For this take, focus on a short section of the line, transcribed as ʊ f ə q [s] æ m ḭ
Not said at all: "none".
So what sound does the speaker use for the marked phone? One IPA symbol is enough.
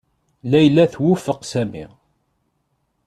s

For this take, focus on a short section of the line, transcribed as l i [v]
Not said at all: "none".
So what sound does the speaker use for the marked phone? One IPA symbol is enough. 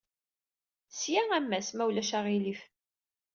f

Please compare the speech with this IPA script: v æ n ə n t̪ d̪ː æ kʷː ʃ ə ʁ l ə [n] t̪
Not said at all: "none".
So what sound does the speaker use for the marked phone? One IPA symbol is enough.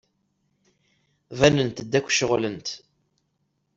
n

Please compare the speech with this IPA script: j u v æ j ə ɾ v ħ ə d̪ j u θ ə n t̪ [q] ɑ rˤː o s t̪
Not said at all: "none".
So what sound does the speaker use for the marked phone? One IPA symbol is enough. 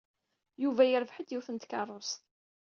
k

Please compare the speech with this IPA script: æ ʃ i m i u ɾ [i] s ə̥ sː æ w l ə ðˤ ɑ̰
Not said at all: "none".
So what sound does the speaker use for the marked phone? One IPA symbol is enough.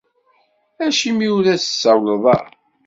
æ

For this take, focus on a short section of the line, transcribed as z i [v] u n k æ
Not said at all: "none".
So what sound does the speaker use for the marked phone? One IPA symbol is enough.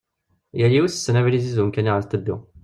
z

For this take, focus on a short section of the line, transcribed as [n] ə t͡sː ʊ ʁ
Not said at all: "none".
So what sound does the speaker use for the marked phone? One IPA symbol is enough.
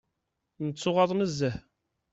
n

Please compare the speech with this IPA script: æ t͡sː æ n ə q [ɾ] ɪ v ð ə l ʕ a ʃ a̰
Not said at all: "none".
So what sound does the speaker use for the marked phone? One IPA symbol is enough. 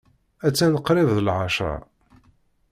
ɾ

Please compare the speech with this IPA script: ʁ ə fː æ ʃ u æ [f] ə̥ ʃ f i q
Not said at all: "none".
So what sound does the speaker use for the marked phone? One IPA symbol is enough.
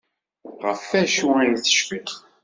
θ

